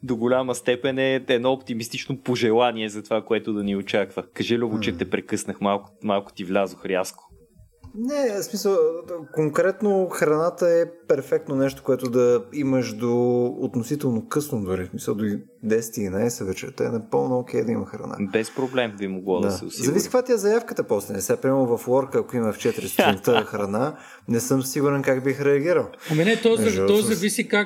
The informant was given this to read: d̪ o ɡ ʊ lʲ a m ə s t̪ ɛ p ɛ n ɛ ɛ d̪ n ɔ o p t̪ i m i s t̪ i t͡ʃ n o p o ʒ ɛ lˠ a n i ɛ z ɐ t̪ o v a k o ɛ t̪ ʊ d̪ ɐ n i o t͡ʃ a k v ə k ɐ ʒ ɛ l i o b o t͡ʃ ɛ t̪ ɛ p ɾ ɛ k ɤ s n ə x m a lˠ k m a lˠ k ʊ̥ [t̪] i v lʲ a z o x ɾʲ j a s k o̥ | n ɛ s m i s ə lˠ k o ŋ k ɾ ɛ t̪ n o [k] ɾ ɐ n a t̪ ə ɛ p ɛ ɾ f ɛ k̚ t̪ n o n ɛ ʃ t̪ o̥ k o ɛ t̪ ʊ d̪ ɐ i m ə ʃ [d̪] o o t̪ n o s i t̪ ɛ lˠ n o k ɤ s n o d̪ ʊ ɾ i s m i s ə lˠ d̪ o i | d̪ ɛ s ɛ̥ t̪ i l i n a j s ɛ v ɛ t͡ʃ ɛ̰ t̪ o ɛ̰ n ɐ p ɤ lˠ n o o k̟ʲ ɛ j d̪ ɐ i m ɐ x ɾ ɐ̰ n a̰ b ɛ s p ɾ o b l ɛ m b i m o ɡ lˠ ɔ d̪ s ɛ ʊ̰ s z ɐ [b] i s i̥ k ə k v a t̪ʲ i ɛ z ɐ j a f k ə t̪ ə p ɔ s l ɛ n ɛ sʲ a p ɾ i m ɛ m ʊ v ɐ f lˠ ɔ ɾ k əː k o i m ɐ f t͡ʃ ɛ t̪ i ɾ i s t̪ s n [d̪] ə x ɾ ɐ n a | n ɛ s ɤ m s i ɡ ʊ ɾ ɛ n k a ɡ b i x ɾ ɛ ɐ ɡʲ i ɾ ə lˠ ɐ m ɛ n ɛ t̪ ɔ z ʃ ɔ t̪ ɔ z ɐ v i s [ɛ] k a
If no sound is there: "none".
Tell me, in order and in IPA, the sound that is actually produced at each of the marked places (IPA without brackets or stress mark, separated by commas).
t̪, x, d̪, v, t̪, i